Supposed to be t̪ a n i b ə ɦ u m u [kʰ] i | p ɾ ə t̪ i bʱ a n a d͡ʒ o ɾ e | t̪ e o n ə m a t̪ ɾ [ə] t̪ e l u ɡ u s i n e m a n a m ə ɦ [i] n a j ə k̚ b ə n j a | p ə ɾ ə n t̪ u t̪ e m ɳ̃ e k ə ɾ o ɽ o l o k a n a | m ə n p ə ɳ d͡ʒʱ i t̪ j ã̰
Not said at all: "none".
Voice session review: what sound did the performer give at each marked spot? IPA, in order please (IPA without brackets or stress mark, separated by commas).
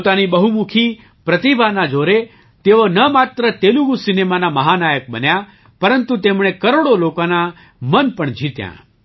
kʰ, ə, a